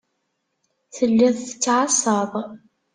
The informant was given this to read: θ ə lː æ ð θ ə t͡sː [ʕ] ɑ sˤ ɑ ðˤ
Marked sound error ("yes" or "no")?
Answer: no